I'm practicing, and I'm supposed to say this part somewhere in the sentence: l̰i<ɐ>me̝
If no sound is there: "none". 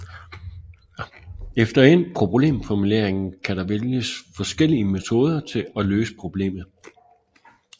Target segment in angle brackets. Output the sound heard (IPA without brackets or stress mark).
ə